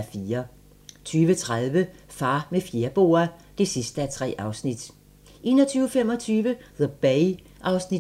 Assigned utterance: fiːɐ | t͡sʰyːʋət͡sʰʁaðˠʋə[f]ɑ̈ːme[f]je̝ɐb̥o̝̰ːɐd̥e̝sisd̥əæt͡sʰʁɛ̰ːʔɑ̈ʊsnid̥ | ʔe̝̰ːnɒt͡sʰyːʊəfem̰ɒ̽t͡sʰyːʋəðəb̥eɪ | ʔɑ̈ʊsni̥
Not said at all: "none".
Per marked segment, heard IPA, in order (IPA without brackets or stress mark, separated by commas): f, f